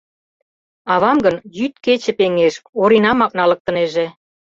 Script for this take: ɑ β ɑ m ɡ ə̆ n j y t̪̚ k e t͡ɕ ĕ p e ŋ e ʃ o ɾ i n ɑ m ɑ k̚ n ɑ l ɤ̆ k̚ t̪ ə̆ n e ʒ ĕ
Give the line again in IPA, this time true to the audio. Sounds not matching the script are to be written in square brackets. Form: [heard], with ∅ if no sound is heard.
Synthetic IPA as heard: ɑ β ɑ m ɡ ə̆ n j y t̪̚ k e t͡ɕ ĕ p e ŋ e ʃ o ɾ i n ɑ m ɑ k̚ n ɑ l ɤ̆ k̚ t̪ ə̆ n e ʒ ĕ